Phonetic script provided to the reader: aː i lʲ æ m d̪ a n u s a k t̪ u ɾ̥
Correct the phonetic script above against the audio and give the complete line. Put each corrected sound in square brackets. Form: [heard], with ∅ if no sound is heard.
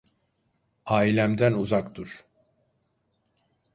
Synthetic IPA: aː i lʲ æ m d̪ [æ] n u [z] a k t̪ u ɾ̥